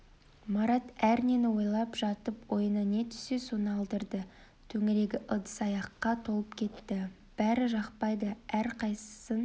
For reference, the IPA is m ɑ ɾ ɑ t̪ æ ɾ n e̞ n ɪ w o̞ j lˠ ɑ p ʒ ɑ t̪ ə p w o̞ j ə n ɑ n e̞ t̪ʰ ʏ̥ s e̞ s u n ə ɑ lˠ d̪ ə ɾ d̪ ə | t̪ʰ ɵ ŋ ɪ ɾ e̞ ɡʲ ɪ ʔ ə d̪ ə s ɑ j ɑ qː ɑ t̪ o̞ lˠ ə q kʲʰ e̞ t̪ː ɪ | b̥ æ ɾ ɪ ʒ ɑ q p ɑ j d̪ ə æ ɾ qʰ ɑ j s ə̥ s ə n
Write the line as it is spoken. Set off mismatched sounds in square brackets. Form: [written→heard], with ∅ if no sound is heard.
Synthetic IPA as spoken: m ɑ ɾ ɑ t̪ æ ɾ n e̞ n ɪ w o̞ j lˠ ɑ p ʒ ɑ t̪ ə p w o̞ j ə n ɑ n e̞ t̪ʰ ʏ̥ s e̞ s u n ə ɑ lˠ d̪ ə ɾ d̪ ə | t̪ʰ ɵ ŋ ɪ ɾ e̞ ɡʲ ɪ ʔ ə d̪ ə s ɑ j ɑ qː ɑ [t̪→t̪ʰ] o̞ lˠ ə [q→p] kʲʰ e̞ t̪ː ɪ | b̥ æ ɾ ɪ ʒ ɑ q p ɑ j d̪ ə æ ɾ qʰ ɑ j s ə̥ s ə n